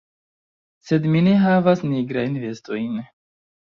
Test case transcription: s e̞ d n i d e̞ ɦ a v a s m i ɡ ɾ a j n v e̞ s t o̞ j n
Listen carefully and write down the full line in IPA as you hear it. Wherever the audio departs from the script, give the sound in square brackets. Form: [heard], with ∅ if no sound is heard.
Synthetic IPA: s e̞ d [m] i [n] e̞ ɦ a v a s [n] i ɡ ɾ a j n v e̞ s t o̞ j n

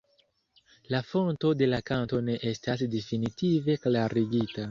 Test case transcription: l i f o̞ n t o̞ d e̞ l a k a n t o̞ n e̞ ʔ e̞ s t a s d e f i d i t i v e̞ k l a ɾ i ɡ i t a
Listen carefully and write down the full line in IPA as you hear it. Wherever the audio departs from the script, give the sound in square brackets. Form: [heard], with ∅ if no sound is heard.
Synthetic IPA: l [a] f o̞ n t o̞ d e̞ l a k a n t o̞ n e̞ ʔ e̞ s t a s d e f i [n] i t i v e̞ k l a ɾ i ɡ i t a

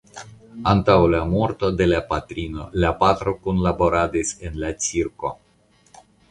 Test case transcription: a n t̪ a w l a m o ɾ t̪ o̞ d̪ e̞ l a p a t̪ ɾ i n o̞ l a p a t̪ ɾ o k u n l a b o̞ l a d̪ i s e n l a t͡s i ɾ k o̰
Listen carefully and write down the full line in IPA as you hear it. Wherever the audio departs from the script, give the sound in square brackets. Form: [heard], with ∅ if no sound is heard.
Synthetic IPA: a n t̪ a w l a m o ɾ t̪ o̞ d̪ e̞ l a p a t̪ ɾ i n o̞ l a p a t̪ ɾ o k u n l a b o̞ [ɾ] a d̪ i s e n l a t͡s i ɾ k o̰

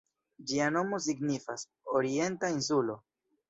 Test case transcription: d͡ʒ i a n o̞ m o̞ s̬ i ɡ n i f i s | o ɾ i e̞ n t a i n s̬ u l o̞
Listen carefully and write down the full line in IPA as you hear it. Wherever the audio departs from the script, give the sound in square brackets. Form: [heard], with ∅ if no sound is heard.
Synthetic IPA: d͡ʒ i a n o̞ m o̞ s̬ i ɡ n i f [a] s | o ɾ i e̞ n t a i n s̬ u l o̞

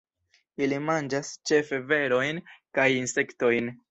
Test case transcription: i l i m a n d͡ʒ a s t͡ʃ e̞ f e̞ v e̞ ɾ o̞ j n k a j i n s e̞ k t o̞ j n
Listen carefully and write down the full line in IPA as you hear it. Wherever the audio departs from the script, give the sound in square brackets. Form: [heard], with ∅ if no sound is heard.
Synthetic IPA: i l i m a n d͡ʒ a s t͡ʃ e̞ f e̞ v e̞ ɾ o̞ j n k a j i n s e̞ k t o̞ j n

